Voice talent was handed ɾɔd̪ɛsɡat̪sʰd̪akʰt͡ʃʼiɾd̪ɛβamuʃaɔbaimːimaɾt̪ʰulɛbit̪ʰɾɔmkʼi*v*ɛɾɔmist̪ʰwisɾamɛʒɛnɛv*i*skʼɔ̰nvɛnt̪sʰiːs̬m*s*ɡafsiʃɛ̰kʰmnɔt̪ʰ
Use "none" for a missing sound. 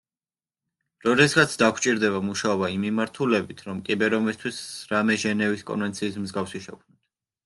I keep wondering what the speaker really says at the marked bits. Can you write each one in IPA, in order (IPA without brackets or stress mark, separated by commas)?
b, i, z